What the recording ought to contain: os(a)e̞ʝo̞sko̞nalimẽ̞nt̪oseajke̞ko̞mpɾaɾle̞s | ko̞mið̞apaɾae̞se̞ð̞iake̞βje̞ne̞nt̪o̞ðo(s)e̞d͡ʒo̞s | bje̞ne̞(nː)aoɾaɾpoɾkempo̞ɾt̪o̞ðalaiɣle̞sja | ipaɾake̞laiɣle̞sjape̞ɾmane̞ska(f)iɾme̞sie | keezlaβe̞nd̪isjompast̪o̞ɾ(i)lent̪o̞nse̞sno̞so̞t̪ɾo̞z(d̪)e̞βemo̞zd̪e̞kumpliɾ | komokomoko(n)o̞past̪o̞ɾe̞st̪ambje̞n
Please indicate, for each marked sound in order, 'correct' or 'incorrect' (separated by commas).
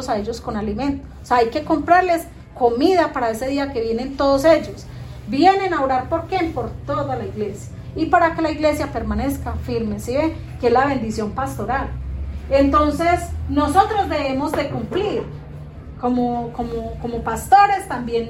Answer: correct, correct, incorrect, correct, incorrect, correct, incorrect